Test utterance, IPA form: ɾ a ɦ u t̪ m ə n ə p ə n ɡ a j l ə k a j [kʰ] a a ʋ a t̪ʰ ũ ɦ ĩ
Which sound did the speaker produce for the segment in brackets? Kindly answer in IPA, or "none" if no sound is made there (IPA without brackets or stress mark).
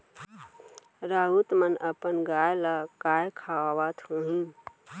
kʰ